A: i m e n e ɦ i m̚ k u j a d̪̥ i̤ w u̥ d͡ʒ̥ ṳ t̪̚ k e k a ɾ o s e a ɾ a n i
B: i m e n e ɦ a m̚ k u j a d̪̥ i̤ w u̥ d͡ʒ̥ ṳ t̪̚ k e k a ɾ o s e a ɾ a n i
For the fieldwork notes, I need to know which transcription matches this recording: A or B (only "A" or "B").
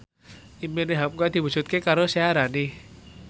B